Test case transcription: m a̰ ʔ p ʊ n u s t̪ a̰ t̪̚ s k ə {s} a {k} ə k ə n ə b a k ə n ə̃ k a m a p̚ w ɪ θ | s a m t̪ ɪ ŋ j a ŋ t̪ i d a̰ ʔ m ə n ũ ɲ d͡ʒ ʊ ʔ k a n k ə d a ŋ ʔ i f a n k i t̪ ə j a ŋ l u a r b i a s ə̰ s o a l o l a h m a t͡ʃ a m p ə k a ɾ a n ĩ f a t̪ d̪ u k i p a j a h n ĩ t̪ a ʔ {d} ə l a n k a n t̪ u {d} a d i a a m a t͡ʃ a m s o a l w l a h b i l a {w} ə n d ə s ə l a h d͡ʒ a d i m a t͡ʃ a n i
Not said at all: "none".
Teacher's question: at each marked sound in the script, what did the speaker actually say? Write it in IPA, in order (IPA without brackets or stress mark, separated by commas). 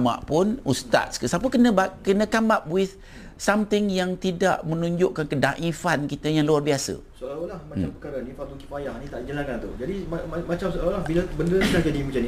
s, p, d͡ʒ, d͡ʒ, b